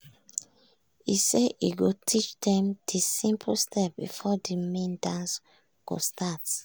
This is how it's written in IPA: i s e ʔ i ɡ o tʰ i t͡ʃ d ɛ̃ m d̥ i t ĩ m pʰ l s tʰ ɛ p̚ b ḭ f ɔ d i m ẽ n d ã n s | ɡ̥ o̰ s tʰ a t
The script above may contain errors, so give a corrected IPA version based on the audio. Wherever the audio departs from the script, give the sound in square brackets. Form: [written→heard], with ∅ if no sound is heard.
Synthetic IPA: i s e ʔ i ɡ o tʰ i t͡ʃ d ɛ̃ m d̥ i [t→s] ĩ m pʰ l s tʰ ɛ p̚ b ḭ f ɔ d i m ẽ n d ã n s | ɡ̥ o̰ s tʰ a t